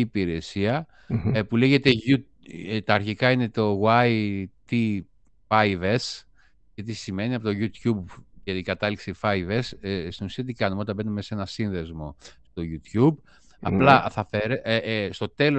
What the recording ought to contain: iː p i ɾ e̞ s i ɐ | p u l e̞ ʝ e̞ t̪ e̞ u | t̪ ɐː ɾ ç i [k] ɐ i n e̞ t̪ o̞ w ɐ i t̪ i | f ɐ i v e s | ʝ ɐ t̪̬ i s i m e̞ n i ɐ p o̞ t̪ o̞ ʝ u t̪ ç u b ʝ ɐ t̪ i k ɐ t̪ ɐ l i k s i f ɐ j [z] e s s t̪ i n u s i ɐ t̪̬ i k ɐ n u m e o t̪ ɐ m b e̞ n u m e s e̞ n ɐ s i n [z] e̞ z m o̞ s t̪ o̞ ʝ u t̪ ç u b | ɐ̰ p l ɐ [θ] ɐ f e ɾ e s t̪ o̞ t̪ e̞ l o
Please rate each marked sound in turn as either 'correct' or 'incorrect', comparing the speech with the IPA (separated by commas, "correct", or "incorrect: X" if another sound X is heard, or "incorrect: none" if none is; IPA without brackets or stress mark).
correct, incorrect: v, incorrect: ð, correct